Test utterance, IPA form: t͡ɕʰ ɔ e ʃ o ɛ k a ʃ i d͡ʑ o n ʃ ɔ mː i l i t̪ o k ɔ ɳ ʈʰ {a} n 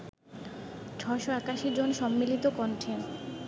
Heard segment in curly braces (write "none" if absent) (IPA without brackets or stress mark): e